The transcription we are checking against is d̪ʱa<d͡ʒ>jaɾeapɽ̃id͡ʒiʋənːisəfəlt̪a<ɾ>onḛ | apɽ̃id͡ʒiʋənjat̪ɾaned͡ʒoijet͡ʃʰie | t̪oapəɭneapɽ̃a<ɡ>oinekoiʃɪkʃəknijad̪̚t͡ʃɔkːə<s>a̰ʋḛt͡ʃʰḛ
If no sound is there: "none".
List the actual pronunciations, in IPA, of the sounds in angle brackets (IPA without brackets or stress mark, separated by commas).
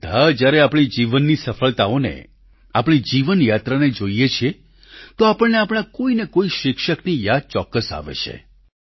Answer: d͡ʒ, none, k, s